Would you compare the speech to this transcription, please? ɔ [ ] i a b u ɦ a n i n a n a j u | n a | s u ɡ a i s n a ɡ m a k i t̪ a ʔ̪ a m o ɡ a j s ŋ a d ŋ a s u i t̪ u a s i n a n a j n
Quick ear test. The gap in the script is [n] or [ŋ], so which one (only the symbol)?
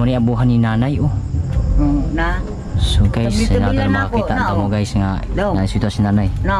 n